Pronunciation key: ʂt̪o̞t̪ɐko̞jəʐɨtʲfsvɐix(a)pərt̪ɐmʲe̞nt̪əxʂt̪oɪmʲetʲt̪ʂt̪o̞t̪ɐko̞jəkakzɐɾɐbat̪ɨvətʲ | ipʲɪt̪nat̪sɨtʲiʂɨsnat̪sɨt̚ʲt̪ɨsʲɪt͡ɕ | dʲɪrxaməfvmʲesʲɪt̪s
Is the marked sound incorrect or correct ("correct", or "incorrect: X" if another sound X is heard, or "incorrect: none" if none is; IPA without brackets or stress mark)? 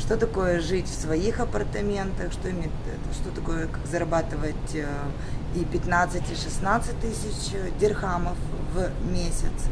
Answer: incorrect: ɐ